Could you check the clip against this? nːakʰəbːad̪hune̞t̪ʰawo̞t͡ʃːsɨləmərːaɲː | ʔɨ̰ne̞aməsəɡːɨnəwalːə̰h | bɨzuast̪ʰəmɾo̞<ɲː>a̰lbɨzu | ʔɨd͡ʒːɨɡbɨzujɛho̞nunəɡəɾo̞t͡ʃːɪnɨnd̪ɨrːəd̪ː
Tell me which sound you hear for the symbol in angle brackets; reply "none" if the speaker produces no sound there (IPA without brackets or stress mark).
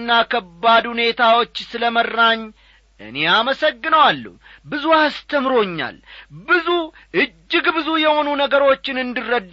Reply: ɲː